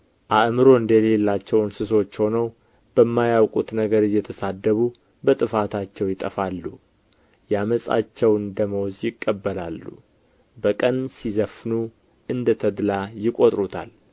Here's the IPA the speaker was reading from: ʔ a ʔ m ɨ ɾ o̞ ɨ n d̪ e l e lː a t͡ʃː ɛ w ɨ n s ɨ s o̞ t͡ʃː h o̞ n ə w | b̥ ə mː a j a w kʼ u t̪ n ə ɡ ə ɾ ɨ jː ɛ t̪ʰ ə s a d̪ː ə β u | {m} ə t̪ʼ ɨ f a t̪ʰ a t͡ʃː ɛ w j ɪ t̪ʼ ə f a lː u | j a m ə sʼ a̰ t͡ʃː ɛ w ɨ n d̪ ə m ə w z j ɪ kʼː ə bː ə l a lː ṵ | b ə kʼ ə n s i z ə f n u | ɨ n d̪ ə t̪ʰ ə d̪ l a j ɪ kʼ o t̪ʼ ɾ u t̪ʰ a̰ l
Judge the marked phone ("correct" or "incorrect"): incorrect